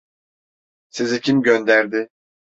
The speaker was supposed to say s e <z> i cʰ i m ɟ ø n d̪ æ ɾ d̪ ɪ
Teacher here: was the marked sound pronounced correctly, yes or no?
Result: yes